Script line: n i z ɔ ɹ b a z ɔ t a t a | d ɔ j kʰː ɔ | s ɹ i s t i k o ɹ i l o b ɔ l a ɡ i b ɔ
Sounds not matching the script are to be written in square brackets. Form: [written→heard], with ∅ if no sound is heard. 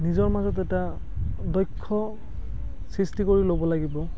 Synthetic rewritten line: n i z ɔ ɹ [b→m] a z ɔ t [a→ɛ] t a | d ɔ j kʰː ɔ | s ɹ i s t i k o ɹ i l o b ɔ l a ɡ i b ɔ